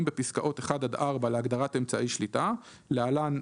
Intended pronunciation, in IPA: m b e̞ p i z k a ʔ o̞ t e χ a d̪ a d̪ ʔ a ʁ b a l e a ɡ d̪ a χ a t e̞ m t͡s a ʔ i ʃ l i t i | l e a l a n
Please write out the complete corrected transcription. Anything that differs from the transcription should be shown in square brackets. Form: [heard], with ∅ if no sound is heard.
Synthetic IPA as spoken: m b e̞ p i [s] k a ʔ o̞ t e χ a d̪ a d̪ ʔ a ʁ b a l e a ɡ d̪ a [ʁ] a t e̞ m t͡s a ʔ i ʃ l i t [a] | l e a l a n